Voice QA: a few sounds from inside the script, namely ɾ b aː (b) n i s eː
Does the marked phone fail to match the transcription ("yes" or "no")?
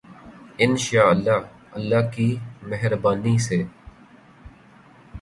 yes